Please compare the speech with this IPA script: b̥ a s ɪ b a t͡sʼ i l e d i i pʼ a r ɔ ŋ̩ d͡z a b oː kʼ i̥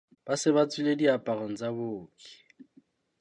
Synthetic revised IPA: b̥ a s ɪ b a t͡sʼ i l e d i a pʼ a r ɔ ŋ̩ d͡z a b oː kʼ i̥